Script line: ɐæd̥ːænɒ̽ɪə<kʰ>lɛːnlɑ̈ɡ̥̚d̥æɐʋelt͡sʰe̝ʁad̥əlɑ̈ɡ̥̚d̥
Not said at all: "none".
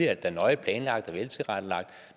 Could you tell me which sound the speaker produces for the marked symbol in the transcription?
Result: pʰ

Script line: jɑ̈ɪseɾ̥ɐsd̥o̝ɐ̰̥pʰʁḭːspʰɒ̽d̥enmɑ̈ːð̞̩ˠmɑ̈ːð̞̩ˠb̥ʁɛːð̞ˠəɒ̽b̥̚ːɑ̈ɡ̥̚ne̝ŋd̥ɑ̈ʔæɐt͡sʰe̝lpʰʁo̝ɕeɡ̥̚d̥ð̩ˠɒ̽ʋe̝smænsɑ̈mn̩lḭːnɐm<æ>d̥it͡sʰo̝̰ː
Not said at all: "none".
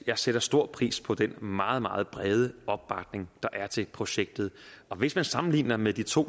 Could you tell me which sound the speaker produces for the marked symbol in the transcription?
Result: e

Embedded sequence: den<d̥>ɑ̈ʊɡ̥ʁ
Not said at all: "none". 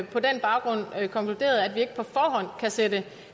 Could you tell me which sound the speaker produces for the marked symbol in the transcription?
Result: b̥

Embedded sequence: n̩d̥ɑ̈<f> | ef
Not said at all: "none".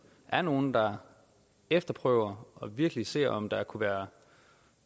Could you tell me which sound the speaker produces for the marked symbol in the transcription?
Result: none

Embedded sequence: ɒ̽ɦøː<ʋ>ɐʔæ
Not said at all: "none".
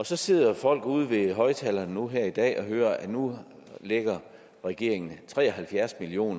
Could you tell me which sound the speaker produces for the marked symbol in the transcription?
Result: none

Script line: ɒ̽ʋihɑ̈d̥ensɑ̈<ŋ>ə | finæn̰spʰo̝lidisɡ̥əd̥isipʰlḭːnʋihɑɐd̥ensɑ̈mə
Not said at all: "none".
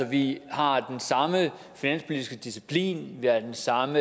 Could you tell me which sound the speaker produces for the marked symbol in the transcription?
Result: m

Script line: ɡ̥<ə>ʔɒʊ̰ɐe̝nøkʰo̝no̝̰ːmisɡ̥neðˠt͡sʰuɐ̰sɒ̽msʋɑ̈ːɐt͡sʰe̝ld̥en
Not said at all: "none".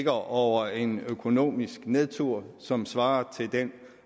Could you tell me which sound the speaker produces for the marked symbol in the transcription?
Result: ɐ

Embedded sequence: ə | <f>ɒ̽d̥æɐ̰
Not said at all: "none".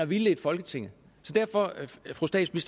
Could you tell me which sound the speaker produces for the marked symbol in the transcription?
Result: s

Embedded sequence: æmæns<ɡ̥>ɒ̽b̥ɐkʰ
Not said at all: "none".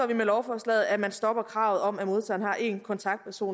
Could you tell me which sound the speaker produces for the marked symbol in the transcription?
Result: d̥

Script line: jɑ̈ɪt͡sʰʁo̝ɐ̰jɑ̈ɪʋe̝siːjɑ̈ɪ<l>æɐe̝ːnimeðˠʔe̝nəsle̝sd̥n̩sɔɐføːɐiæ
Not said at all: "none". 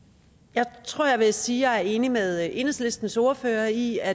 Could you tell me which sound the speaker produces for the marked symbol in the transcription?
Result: none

